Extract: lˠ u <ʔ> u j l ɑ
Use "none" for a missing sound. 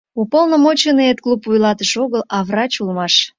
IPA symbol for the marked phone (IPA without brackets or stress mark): p